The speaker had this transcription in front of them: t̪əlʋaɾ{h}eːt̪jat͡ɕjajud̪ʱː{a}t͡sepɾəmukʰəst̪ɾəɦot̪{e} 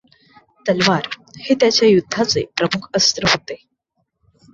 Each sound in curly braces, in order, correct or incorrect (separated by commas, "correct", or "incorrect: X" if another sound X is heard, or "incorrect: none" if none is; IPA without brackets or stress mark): correct, correct, correct